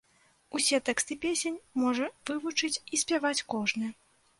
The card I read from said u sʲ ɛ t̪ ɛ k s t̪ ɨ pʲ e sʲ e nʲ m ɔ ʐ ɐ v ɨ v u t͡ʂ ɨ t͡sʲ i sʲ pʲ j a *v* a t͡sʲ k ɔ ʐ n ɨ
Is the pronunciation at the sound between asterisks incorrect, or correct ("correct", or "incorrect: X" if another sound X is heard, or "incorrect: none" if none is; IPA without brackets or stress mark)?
correct